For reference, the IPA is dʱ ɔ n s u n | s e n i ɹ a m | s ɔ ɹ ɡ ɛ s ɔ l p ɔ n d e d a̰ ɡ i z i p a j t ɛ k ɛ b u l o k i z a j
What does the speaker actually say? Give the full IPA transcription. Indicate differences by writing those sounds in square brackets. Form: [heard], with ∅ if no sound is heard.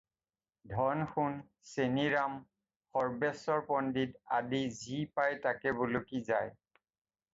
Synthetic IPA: dʱ ɔ n [x] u n | s e n i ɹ a m | [x] ɔ ɹ [b] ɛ s ɔ [ɹ] p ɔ n d [i] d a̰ [d] i z i p a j t [a] k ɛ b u l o k i z a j

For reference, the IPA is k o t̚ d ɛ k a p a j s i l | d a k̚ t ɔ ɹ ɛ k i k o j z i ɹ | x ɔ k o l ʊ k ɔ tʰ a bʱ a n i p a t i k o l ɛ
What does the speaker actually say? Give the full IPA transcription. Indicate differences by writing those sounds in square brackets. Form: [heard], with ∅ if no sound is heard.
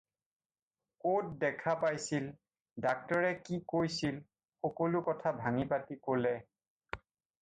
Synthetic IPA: k o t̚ d ɛ [kʰ] a p a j s i l | d a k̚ t ɔ ɹ ɛ k i k o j [s] i [l] | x ɔ k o l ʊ k ɔ tʰ a bʱ a [ŋ] i p a t i k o l ɛ

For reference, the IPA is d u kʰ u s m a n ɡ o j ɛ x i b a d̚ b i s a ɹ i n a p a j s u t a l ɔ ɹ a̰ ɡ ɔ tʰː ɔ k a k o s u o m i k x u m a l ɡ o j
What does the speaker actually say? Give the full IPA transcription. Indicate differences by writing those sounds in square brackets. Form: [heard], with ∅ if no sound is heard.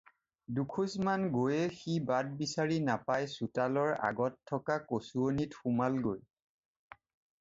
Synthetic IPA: d u kʰ u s m a n ɡ o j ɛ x i b a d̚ b i s a ɹ i n a p a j s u t a l ɔ ɹ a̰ ɡ ɔ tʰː ɔ k a k o s u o [n] i [t] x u m a l ɡ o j

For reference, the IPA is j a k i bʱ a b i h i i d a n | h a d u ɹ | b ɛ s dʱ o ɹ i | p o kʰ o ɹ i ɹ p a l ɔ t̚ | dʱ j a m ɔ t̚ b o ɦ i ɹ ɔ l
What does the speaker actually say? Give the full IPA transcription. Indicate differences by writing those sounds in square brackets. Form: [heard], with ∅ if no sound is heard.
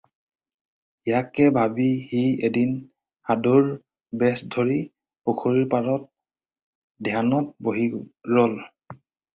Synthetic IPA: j a k [ɛ] bʱ a b i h i [e] d [i] n | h a d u ɹ | b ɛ s dʱ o ɹ i | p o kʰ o ɹ i ɹ p a [ɹ] ɔ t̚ | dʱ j a [n] ɔ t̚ b o ɦ i ɹ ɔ l

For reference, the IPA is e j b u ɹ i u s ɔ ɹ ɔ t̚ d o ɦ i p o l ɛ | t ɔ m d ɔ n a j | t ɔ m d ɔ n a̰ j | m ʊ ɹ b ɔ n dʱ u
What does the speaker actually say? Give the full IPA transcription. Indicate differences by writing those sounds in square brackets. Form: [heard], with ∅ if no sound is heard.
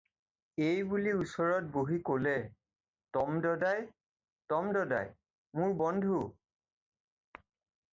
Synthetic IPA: e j b u [l] i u s ɔ ɹ ɔ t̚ [b] o ɦ i [k] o l ɛ | t ɔ m d ɔ [d] a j | t ɔ m d ɔ [d] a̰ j | m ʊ ɹ b ɔ n dʱ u

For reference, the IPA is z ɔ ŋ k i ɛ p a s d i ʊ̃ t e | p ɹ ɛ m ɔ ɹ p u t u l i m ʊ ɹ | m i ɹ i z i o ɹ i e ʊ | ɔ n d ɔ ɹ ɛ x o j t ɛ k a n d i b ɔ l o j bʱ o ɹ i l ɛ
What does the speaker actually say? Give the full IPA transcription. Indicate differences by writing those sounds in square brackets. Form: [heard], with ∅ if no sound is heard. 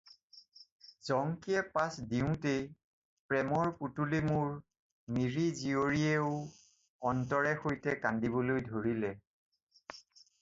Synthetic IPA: z ɔ ŋ k i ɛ p a s d i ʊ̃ t e | p ɹ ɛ m ɔ ɹ p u t u l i m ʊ ɹ | m i ɹ i z i o ɹ i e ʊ | ɔ n [t] ɔ ɹ ɛ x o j t ɛ k a n d i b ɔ l o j [dʱ] o ɹ i l ɛ

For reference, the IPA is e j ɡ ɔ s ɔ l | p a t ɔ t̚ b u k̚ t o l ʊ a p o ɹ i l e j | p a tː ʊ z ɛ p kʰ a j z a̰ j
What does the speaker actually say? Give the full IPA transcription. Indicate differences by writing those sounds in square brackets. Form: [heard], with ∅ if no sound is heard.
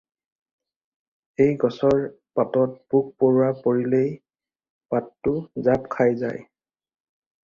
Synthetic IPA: e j ɡ ɔ s ɔ [ɹ] | p a t ɔ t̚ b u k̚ [p] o [ɹ] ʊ a p o ɹ i l e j | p a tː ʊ z [a] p kʰ a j z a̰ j

